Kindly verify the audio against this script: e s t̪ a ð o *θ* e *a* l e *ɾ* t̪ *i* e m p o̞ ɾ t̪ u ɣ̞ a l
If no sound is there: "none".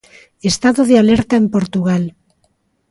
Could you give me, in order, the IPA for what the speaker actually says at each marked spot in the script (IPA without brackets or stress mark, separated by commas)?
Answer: ð, a, ɾ, a